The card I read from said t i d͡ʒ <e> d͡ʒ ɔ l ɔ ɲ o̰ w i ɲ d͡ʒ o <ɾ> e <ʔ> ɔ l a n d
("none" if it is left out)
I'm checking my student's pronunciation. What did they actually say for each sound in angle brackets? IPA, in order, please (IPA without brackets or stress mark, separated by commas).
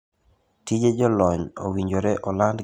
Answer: e, ɾ, ʔ